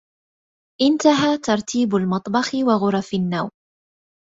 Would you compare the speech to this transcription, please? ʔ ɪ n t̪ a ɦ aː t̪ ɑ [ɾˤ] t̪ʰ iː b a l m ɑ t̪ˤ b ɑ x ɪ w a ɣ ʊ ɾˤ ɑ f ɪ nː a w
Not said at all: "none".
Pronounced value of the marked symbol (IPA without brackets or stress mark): ɾˤ